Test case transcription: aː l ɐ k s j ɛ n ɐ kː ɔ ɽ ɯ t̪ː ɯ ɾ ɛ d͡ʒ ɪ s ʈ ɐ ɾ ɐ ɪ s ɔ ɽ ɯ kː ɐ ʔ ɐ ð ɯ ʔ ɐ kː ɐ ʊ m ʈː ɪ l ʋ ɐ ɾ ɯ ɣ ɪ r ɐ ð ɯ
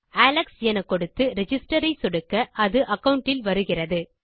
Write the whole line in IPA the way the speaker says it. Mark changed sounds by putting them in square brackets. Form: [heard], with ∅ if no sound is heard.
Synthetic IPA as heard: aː l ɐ k s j ɛ n ɐ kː ɔ ɽ ɯ t̪ː ɯ ɾ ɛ d͡ʒ ɪ s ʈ ɐ ɾ ɐ ɪ s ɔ ɽ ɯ kː ɐ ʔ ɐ ð ɯ ʔ ɐ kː ɐ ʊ [ɳ] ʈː ɪ l ʋ ɐ ɾ ɯ ɣ ɪ r ɐ ð ɯ